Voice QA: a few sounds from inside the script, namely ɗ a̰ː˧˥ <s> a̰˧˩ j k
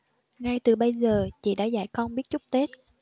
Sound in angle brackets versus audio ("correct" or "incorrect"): incorrect